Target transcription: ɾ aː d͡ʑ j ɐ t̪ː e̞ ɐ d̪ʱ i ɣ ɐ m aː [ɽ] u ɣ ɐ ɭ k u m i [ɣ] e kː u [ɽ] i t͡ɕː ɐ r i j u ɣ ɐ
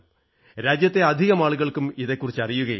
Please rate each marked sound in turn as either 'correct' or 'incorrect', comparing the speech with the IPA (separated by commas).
incorrect, incorrect, incorrect